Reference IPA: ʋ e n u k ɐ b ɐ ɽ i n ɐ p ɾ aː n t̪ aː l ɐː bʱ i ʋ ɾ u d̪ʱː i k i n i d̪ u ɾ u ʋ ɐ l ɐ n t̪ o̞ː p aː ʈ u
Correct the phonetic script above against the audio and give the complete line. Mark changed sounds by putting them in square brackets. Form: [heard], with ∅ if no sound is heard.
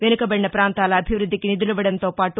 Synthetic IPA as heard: ʋ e n u k ɐ b ɐ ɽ i n ɐ p ɾ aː n t̪ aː l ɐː bʱ i ʋ ɾ u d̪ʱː i k i n i d̪ u [l] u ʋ ɐ [ɽ] ɐ n t̪ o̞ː p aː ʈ u